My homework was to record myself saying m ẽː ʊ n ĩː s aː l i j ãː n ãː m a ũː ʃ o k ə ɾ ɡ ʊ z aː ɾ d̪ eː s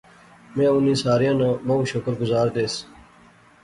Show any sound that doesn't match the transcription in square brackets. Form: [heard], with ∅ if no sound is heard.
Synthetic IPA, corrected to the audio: m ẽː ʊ n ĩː s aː [ɾ] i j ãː n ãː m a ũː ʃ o k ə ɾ ɡ ʊ z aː ɾ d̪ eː s